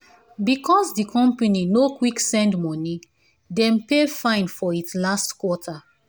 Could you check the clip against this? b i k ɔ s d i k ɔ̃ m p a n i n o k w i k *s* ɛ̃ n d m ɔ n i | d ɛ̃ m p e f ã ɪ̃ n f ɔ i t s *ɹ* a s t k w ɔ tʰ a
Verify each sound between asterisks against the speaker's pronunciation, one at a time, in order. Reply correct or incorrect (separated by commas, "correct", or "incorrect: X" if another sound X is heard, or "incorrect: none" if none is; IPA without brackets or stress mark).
correct, incorrect: l